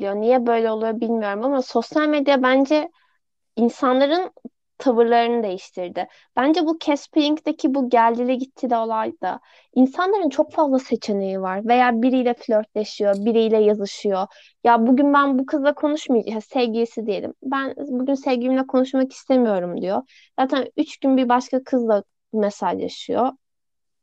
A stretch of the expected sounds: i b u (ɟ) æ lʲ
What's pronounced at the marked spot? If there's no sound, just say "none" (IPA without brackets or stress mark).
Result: ɟ